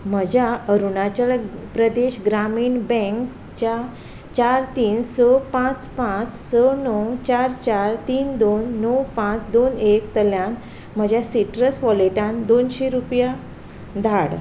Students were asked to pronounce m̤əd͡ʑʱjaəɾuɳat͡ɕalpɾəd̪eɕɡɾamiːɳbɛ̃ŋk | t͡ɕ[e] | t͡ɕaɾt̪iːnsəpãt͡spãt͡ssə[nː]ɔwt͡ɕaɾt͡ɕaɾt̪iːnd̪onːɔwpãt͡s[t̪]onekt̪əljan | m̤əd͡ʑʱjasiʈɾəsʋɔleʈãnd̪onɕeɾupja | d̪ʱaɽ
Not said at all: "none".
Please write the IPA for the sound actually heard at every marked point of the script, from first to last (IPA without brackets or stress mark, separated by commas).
a, n, d̪